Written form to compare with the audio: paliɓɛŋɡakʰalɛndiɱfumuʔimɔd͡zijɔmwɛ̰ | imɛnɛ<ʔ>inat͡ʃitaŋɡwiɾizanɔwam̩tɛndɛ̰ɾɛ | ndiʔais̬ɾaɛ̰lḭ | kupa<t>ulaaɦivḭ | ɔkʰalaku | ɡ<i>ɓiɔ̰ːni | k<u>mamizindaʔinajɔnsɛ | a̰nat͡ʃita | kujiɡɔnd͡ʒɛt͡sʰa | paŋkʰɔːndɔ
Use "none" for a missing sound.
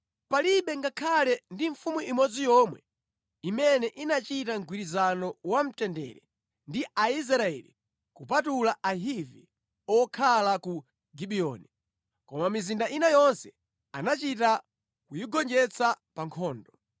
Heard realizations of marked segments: ʔ, t, i, ɔ

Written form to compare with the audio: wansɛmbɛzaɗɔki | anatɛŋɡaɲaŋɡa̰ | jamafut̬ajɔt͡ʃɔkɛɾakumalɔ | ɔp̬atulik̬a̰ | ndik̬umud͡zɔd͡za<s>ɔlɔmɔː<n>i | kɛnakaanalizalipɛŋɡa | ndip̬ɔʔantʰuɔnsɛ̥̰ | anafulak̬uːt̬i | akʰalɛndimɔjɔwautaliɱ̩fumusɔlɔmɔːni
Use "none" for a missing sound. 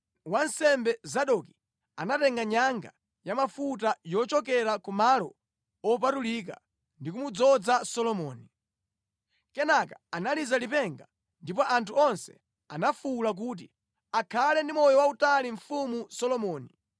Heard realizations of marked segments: s, n

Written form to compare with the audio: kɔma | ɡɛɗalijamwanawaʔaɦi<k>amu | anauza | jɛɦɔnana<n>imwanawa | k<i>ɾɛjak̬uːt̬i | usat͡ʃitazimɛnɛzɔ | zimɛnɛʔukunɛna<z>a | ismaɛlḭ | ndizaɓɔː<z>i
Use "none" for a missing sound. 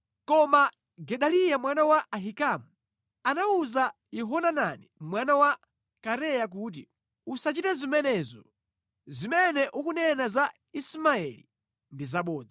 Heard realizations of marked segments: k, n, a, z, d͡z

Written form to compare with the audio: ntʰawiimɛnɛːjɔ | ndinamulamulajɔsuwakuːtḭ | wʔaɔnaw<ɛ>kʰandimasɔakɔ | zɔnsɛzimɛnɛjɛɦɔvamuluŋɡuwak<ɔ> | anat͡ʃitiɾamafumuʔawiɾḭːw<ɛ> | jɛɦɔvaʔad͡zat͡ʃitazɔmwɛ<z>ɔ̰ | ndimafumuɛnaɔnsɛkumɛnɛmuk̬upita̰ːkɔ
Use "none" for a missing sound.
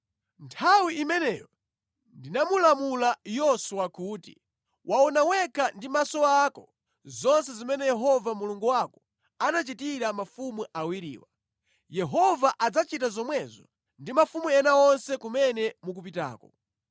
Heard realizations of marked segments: ɛ, ɔ, a, z

